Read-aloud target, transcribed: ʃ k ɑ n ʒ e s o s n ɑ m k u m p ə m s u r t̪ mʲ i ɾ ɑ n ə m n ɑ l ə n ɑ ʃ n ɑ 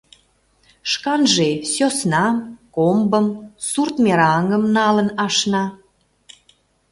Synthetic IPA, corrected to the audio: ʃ k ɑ n ʒ e s o s n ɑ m k o m b ə m s u r t̪ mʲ e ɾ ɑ ŋ ə m n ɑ l ə n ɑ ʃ n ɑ